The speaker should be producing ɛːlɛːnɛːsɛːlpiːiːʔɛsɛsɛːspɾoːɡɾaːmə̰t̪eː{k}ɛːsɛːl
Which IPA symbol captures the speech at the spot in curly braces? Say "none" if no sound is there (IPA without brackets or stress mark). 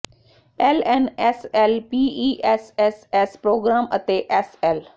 ʔ